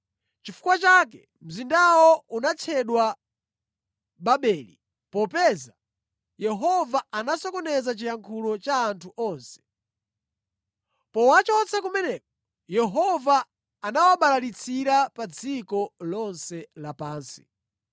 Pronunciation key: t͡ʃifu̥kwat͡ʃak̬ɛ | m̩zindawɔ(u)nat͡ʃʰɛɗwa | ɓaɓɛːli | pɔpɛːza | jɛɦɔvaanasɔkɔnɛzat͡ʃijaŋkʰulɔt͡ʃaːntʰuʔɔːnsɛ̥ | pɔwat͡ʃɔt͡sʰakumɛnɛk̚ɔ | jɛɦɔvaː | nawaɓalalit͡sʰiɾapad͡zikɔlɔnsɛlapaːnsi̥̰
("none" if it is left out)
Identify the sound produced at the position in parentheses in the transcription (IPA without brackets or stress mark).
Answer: u